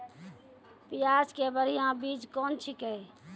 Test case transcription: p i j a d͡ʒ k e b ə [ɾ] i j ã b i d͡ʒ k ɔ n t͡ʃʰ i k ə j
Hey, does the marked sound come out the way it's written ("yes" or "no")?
yes